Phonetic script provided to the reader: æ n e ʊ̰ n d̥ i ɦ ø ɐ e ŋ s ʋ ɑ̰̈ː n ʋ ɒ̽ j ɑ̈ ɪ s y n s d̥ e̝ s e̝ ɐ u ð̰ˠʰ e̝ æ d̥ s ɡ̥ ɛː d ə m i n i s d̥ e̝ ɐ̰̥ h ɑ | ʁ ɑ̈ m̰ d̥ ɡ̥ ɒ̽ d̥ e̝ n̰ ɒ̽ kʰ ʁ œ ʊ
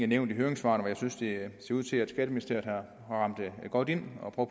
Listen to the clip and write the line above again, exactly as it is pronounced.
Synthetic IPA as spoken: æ n e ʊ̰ n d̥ i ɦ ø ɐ e ŋ s ʋ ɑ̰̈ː n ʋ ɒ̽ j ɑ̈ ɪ s y n s d̥ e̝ s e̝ ɐ u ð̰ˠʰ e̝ æ d̥ s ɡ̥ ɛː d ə m i n i s d̥ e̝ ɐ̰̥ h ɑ | ʁ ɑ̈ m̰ d̥ ɡ̥ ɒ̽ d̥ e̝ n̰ ɒ̽ pʰ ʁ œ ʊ